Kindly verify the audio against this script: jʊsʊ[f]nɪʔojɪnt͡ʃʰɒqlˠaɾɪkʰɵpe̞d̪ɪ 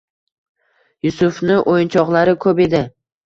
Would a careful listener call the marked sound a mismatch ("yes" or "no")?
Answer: no